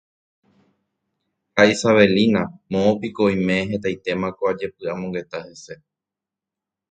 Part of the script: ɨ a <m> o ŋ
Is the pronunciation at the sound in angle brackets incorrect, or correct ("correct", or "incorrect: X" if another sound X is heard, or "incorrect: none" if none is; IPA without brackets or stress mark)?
correct